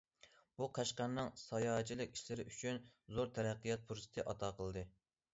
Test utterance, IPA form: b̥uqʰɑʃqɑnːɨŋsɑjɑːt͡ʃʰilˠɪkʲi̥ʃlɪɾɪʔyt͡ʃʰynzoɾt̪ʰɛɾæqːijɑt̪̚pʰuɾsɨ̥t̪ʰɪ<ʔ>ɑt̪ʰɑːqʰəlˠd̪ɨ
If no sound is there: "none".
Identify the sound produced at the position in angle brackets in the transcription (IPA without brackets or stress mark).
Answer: ʔ